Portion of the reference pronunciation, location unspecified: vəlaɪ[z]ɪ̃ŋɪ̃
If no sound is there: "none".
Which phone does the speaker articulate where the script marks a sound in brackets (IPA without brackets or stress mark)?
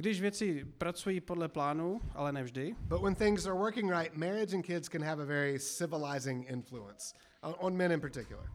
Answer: z